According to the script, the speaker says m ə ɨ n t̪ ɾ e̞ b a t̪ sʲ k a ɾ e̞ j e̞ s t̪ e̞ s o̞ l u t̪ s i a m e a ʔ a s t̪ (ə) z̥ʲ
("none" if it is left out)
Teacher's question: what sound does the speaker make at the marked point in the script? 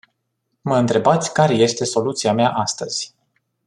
ə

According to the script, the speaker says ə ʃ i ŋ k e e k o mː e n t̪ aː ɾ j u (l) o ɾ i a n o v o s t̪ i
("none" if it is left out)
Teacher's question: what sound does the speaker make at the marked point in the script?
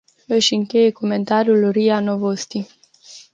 l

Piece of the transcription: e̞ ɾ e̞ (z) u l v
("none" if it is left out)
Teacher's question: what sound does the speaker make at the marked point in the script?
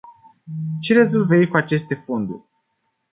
z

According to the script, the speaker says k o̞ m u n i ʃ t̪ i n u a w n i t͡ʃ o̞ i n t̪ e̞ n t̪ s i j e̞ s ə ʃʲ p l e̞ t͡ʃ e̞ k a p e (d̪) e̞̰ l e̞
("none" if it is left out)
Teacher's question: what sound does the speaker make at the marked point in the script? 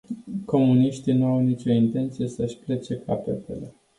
t̪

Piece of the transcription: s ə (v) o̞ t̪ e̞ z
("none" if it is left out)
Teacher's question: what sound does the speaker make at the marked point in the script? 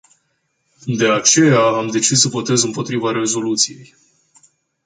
v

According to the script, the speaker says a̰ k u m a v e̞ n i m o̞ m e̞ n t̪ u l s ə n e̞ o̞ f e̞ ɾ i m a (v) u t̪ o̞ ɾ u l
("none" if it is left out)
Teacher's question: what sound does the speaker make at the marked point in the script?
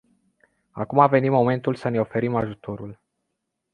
ʒ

